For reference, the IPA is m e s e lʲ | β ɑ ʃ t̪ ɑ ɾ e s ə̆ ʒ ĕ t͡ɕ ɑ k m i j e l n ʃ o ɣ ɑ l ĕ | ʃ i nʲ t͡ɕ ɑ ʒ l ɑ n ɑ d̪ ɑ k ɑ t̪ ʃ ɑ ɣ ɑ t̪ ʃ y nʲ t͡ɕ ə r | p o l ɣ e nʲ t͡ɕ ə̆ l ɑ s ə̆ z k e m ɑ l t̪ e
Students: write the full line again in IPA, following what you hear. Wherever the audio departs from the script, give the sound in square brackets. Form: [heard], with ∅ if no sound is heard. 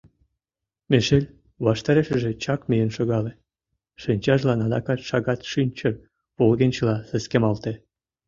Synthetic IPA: m e [ʃ] e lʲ | β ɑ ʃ t̪ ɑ ɾ e [ʃ] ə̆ ʒ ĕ t͡ɕ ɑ k m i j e [∅] n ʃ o ɣ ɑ l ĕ | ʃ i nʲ t͡ɕ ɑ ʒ l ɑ n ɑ d̪ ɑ k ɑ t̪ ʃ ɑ ɣ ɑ t̪ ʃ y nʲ t͡ɕ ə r | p o l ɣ e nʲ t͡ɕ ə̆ l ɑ s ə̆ [s] k e m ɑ l t̪ e